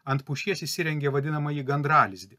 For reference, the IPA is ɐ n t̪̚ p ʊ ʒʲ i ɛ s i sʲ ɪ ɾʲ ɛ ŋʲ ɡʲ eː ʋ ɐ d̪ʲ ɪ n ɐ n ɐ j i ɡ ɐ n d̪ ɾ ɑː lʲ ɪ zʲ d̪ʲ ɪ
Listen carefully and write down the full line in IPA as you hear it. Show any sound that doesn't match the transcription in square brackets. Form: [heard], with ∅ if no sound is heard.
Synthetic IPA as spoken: ɐ n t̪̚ p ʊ [ʃʲ] i ɛ s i sʲ ɪ ɾʲ ɛ ŋʲ ɡʲ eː ʋ ɐ d̪ʲ ɪ n ɐ [m] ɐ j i ɡ ɐ n d̪ ɾ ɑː lʲ ɪ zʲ d̪ʲ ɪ